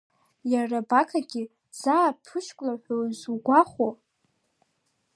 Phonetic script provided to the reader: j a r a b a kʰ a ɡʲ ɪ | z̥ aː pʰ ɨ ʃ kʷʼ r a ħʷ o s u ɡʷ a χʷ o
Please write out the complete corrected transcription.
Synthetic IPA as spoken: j a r a b a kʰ a ɡʲ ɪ | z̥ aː pʰ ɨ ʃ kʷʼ l a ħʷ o z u ɡʷ a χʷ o